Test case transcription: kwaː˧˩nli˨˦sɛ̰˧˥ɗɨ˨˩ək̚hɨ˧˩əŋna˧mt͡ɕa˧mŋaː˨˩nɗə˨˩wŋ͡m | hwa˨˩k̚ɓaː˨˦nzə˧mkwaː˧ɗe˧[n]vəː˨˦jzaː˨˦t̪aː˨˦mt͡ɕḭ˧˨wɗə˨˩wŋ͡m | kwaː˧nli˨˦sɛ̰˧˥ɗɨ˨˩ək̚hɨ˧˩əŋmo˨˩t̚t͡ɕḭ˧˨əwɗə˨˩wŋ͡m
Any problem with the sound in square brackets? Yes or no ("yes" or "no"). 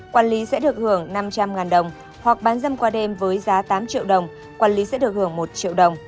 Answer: yes